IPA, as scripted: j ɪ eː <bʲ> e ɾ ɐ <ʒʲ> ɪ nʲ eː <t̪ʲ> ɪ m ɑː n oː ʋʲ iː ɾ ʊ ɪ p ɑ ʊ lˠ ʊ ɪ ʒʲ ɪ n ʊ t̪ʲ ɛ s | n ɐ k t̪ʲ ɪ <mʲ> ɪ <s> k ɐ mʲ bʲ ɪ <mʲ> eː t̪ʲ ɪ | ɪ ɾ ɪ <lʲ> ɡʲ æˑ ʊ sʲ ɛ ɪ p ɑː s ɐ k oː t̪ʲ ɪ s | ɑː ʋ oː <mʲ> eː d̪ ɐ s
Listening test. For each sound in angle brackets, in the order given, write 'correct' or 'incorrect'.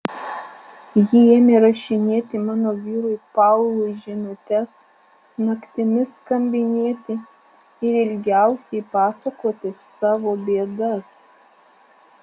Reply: incorrect: mʲ, incorrect: ʃʲ, correct, correct, correct, incorrect: nʲ, correct, incorrect: bʲ

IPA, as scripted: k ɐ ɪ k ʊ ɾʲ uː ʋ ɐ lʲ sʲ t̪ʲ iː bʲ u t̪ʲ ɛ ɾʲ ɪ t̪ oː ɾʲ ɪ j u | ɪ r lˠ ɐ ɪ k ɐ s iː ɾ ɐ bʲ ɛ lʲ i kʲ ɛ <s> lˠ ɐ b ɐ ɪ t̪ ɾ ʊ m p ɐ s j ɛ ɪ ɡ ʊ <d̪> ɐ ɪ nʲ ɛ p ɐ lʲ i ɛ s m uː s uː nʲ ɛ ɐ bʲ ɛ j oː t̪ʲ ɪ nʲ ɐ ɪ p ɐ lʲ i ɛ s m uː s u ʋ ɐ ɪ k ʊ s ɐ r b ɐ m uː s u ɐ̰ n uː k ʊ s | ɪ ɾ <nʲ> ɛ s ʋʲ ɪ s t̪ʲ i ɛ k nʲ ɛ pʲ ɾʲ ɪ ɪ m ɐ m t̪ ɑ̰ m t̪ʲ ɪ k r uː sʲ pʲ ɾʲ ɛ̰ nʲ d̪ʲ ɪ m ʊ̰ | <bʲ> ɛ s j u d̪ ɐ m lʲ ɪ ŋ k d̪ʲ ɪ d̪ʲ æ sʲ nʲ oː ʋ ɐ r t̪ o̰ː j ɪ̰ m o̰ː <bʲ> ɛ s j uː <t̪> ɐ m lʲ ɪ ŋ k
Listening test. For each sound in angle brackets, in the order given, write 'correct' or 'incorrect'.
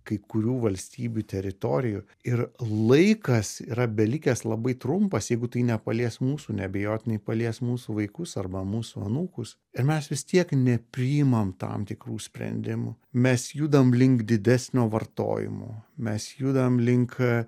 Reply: correct, incorrect: t̪, incorrect: mʲ, incorrect: mʲ, incorrect: mʲ, incorrect: d̪

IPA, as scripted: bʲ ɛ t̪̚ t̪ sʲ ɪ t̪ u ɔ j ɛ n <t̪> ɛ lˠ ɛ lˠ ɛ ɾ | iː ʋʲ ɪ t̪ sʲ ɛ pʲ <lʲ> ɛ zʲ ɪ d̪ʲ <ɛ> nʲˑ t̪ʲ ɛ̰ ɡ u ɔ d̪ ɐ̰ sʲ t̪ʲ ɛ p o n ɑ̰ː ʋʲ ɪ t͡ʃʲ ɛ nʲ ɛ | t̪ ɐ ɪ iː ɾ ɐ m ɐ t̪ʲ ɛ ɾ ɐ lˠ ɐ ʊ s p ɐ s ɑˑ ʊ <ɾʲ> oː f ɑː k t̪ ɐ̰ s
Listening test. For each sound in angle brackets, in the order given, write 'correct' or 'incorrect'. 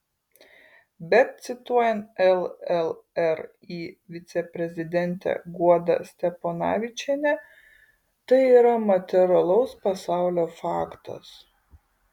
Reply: correct, incorrect: ɾʲ, correct, incorrect: lʲ

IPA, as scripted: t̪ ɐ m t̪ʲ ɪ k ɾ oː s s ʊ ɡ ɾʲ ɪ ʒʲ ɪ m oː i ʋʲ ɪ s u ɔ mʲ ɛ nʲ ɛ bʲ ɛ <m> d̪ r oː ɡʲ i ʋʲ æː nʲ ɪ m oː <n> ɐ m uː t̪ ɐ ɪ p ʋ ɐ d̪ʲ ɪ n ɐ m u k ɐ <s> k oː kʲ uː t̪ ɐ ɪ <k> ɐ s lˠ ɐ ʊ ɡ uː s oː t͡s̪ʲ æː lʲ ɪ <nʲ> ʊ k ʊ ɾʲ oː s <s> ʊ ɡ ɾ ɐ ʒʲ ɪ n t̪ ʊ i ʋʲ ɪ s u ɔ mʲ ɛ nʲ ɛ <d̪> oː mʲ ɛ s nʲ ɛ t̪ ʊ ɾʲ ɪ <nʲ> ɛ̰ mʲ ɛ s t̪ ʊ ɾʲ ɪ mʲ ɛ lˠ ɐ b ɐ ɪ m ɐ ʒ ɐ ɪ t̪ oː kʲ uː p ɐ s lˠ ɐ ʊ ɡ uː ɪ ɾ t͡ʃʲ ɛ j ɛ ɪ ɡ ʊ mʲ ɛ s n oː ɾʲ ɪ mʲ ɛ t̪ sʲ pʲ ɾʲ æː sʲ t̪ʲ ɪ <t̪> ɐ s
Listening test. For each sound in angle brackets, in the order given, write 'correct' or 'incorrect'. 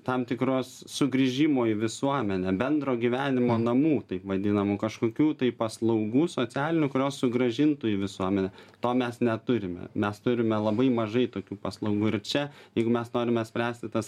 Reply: incorrect: n, correct, incorrect: ʃ, incorrect: p, correct, correct, incorrect: t̪, incorrect: mʲ, correct

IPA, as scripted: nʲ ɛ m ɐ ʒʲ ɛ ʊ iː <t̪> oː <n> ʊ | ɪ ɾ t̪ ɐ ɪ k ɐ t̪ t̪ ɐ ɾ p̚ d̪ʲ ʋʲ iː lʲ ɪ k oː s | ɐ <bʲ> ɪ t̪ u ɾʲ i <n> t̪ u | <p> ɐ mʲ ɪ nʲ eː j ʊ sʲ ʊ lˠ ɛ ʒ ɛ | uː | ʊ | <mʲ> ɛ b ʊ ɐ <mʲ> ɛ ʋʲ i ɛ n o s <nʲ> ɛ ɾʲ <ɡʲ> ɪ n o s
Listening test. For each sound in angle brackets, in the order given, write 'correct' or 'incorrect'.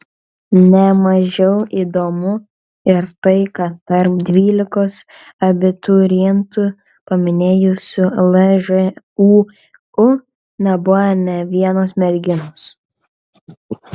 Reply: incorrect: d̪, incorrect: m, correct, correct, correct, incorrect: nʲ, incorrect: nʲ, incorrect: mʲ, correct

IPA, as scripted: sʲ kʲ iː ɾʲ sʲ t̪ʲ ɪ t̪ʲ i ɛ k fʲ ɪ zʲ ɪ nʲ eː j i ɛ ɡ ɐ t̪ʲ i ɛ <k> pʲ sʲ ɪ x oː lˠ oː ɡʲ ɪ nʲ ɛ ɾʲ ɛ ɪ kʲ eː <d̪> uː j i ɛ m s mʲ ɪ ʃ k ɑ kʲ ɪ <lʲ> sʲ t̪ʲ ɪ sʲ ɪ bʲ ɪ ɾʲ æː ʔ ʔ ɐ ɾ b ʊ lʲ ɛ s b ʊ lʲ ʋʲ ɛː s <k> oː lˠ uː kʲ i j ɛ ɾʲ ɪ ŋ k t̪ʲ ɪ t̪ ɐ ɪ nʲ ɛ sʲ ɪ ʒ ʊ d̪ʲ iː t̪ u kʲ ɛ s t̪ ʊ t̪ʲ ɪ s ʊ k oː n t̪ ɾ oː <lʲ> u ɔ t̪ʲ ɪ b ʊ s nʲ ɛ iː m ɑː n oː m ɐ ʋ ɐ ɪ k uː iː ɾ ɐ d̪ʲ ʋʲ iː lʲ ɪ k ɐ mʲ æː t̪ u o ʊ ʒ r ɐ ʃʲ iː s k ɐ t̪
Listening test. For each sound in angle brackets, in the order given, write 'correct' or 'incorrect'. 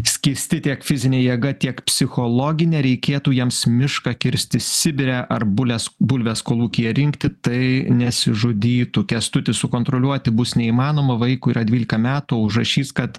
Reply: correct, incorrect: t̪, incorrect: ɾʲ, correct, correct

